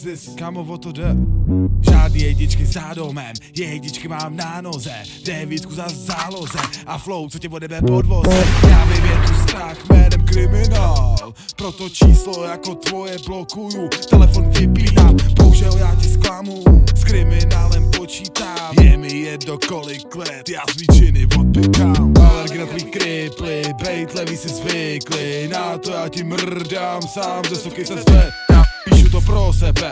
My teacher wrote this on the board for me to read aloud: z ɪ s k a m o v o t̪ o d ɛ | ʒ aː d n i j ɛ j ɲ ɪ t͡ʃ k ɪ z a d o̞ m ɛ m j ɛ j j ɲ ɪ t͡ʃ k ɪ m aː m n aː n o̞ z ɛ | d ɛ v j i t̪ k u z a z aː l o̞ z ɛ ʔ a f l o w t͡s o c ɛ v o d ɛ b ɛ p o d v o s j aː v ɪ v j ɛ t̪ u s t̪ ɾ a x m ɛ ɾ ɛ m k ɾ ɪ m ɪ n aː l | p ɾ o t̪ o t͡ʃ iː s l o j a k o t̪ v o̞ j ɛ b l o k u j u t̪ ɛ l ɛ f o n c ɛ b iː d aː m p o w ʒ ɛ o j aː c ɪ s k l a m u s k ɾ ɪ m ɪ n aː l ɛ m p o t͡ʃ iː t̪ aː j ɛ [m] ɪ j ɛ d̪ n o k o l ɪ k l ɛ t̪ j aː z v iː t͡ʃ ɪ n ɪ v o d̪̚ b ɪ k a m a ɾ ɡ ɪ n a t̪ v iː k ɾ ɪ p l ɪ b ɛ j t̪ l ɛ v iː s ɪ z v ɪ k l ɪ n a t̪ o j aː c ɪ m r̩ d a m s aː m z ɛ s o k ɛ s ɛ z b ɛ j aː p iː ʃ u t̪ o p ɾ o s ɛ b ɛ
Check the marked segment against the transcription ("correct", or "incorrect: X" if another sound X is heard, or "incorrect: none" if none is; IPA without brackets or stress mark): correct